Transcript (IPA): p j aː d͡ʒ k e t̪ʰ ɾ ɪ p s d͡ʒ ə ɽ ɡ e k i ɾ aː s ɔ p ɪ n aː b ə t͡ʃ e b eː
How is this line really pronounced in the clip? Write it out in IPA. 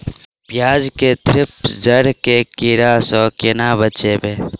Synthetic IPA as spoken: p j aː d͡ʒ k e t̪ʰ ɾ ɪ p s d͡ʒ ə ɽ k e k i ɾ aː s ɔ k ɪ n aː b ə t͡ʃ e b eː